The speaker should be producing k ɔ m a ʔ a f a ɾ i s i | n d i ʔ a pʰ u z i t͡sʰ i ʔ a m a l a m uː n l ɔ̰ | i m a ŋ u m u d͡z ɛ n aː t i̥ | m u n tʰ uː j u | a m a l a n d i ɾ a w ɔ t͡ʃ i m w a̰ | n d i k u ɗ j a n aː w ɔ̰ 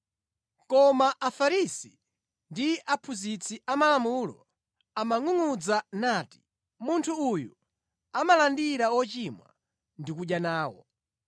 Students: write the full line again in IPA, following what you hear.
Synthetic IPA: k ɔ m a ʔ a f a ɾ i s i | n d i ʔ a pʰ u z i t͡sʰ i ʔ a m a l a m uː l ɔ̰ | a m a ŋ u ŋ u d͡z a n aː t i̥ | m u n tʰ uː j u | a m a l a n d i ɾ a w ɔ t͡ʃ i m w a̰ | n d i k u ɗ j a n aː w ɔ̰